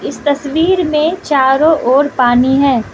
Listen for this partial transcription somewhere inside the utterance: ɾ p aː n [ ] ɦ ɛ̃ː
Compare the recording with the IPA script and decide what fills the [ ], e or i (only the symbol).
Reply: i